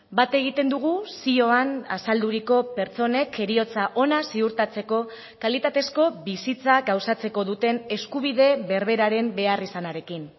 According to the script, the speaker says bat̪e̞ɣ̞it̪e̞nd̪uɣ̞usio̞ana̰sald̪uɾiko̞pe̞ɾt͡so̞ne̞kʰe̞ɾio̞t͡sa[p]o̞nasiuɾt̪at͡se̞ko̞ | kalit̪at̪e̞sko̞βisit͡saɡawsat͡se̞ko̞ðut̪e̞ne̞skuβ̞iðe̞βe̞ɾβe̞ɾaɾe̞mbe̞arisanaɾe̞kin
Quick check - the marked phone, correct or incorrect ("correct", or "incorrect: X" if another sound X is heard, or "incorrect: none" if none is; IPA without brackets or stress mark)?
incorrect: ʔ